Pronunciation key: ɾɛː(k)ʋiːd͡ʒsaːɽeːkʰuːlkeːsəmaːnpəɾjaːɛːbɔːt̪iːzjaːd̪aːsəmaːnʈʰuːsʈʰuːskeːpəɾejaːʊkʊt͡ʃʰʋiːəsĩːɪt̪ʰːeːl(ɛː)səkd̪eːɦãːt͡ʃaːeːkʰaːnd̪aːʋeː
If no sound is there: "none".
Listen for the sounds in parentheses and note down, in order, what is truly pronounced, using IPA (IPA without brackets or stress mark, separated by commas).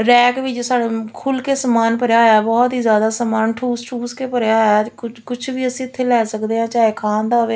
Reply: k, ɛː